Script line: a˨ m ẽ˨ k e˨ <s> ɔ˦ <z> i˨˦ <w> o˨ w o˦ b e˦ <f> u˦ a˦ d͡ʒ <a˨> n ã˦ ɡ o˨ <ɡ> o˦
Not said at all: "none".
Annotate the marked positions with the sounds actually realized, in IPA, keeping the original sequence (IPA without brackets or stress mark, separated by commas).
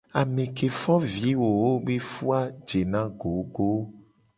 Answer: f, v, w, f, e˨, ɡ